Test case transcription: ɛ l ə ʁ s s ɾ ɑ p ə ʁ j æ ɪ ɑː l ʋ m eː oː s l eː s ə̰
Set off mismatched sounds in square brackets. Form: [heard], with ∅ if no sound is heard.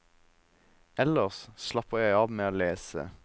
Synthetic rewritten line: ɛ l ə ʁ s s [l] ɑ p ə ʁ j æ ɪ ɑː [∅] ʋ m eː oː [∅] l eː s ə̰